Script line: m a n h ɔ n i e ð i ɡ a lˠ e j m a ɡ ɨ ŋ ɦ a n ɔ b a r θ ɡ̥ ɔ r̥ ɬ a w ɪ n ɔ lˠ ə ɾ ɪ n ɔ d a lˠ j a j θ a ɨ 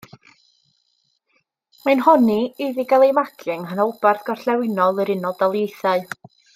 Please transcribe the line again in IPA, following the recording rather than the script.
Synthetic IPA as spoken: m a n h ɔ n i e ð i ɡ a lˠ e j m a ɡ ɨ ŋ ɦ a n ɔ b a r θ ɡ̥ ɔ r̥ ɬ ɛ w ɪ n ɔ lˠ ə ɾ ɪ n ɔ d a lˠ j e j θ a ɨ